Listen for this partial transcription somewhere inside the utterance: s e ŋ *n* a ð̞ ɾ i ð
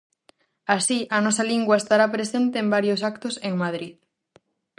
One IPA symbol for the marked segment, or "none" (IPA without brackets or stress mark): m